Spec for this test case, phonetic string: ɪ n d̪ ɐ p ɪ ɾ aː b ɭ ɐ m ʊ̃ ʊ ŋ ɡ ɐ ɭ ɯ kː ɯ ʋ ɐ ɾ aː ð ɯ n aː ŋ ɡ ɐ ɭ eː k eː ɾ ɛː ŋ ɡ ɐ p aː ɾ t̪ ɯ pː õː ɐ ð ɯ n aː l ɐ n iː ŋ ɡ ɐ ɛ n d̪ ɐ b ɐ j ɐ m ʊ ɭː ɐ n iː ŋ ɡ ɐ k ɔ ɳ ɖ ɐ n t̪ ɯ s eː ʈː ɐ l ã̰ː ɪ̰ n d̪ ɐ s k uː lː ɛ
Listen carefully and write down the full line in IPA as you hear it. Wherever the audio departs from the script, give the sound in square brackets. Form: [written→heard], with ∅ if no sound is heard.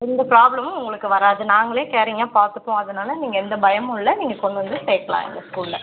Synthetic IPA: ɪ n d̪ ɐ p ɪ ɾ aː b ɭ ɐ m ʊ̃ ʊ ŋ ɡ ɐ ɭ ɯ kː ɯ ʋ ɐ ɾ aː ð ɯ n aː ŋ ɡ ɐ ɭ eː k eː ɾ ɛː ŋ ɡ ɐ p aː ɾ t̪ ɯ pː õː ɐ ð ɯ n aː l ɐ n iː ŋ ɡ ɐ ɛ n d̪ ɐ b ɐ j ɐ m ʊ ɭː ɐ n iː ŋ ɡ ɐ k ɔ ɳ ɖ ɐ n [t̪→d̪] ɯ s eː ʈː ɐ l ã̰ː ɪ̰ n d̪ ɐ s k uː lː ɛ